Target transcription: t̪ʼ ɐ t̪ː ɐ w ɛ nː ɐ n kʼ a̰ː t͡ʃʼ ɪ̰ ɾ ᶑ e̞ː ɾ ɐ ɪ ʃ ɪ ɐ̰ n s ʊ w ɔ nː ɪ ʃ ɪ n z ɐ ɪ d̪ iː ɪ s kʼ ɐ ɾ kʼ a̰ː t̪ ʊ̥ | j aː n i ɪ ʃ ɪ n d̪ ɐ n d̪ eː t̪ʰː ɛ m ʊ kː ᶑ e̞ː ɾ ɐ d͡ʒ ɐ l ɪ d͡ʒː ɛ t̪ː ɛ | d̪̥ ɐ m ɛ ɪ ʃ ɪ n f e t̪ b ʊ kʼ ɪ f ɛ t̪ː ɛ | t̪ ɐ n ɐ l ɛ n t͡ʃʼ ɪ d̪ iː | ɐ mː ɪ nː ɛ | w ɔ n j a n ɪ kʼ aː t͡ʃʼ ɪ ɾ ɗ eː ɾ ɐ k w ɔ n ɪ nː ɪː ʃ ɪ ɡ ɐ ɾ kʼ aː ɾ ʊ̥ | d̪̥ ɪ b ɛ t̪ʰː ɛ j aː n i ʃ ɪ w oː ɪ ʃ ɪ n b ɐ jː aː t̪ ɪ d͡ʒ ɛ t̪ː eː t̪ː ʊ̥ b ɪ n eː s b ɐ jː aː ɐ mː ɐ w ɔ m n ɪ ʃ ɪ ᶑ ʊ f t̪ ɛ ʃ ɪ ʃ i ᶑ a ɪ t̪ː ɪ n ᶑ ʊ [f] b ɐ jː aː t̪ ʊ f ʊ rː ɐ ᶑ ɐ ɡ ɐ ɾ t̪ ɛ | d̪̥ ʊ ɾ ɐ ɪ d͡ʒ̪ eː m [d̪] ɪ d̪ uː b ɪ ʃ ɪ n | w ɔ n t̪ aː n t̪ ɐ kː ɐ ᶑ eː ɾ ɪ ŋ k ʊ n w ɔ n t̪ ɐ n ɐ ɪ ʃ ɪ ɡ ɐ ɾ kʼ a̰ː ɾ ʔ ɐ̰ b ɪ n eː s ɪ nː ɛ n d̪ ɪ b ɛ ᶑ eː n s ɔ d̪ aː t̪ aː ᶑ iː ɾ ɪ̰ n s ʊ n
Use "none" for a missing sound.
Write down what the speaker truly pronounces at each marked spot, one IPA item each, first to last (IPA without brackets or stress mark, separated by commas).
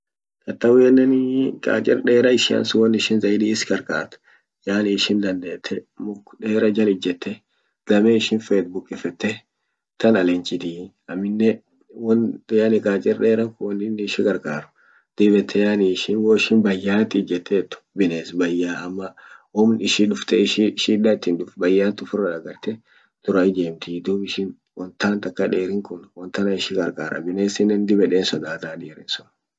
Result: f, t̪